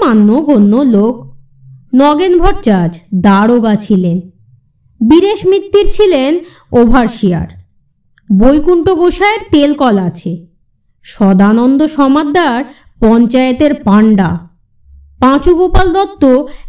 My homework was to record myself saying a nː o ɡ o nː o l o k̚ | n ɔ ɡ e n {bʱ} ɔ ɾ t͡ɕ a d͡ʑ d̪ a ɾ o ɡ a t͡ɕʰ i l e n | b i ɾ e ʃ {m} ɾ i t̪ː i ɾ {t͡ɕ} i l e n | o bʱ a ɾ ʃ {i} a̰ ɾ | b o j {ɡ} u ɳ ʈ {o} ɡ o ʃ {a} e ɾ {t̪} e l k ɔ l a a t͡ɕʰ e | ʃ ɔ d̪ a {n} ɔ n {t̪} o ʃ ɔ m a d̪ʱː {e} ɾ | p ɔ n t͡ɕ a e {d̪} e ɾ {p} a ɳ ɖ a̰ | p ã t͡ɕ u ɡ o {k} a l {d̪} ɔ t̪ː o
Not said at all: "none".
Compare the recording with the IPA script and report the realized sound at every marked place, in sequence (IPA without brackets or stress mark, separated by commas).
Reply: bʱ, m, t͡ɕʰ, i, k, o, a, t̪, n, d̪, a, t̪, p, p, d̪